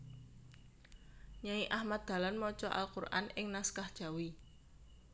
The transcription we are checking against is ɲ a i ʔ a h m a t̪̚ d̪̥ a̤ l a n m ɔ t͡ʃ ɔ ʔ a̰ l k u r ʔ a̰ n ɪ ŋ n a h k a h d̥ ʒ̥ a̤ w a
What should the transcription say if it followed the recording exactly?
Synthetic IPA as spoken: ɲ a i ʔ a h m a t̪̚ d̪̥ a̤ l a n m ɔ t͡ʃ ɔ ʔ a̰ l k u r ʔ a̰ n ɪ ŋ n a s k a h d̥ ʒ̥ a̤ w i